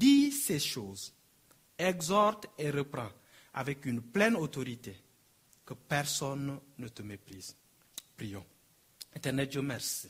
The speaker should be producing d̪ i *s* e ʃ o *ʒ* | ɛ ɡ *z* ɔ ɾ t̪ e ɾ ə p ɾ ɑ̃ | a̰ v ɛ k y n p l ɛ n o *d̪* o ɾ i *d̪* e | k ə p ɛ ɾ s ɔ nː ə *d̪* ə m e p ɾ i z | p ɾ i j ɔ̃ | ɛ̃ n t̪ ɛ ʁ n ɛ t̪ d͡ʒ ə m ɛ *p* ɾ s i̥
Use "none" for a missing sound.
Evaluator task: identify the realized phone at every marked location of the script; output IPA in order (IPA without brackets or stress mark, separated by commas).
s, z, z, t̪, t̪, t̪, none